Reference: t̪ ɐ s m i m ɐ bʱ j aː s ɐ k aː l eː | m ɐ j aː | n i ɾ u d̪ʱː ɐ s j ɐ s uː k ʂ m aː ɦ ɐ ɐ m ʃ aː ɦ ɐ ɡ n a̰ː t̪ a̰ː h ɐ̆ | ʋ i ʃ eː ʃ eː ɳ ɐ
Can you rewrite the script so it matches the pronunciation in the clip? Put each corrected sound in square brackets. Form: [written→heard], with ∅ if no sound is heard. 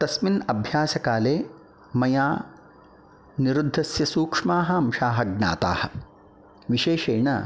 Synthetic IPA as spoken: t̪ ɐ s m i [m→n] ɐ bʱ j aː s ɐ k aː l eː | m ɐ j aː | n i ɾ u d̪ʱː ɐ s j ɐ s uː k ʂ m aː ɦ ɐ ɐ m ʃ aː ɦ ɐ ɡ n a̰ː t̪ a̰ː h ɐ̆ | ʋ i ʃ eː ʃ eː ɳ ɐ